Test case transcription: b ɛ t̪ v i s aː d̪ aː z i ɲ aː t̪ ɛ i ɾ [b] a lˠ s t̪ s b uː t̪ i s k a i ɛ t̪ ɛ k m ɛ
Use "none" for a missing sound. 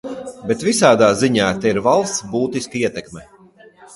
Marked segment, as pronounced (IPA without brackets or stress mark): v